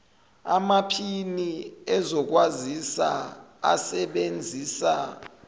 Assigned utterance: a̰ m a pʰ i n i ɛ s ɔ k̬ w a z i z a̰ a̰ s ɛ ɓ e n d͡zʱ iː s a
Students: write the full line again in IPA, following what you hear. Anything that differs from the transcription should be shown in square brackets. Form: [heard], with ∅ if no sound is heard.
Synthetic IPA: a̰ m a pʰ i n i ɛ [z] ɔ k̬ w a z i [s] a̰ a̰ s ɛ ɓ e n d͡zʱ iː s a